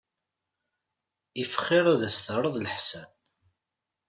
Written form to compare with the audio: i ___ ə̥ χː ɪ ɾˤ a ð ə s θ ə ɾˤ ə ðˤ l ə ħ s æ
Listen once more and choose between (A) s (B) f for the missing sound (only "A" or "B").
B